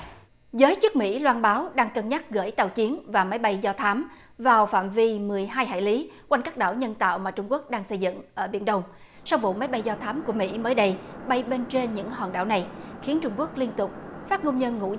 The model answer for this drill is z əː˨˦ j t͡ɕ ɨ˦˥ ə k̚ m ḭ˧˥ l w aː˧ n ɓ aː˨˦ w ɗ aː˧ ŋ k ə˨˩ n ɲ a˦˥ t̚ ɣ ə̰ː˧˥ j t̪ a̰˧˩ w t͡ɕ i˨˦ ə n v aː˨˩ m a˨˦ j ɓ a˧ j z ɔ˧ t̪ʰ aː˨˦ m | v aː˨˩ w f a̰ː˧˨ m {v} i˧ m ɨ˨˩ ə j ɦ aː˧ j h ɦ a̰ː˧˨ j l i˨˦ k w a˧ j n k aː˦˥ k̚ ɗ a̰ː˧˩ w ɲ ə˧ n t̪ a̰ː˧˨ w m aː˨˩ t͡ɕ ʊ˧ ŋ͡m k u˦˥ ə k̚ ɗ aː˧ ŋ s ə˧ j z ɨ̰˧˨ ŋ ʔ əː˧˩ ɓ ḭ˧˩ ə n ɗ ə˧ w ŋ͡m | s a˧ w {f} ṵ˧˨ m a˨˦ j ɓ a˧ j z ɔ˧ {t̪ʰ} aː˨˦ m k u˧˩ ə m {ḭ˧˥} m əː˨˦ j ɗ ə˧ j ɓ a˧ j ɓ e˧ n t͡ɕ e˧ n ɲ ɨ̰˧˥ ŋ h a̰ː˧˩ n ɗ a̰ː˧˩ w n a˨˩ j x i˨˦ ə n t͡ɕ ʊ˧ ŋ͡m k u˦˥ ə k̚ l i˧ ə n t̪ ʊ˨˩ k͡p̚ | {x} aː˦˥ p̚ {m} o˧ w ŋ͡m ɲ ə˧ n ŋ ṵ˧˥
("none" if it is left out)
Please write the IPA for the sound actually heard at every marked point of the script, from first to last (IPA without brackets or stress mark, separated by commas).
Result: v, v, t̪ʰ, ḭ˧˥, f, ŋ